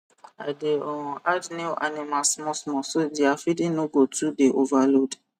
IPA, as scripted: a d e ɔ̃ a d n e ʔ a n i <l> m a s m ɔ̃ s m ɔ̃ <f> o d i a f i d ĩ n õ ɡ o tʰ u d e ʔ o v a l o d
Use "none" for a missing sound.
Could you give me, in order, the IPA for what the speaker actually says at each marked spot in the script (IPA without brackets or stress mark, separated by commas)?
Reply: none, s